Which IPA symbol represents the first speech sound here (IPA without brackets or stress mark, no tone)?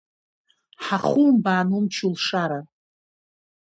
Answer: ħ